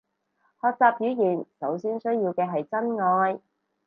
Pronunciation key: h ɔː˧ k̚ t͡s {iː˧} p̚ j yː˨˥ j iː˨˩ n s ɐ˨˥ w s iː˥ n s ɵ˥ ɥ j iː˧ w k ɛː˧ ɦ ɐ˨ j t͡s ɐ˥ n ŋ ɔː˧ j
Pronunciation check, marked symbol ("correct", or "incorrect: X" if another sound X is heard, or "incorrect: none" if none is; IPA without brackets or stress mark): incorrect: aː˧